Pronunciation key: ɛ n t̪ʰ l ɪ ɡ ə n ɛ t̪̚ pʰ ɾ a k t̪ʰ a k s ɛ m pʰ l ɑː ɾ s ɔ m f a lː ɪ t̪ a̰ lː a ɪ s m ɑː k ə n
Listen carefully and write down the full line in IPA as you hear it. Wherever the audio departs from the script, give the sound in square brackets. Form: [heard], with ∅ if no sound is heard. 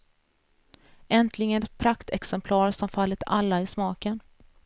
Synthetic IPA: ɛ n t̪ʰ l ɪ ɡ ə n ɛ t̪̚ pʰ ɾ a k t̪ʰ [ɛ] k s ɛ m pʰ l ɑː ɾ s ɔ m f a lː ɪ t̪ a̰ lː a ɪ s m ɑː k ə n